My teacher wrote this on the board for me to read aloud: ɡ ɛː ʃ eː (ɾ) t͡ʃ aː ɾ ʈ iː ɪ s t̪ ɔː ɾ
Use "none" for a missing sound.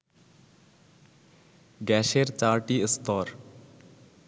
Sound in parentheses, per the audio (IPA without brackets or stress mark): ɾ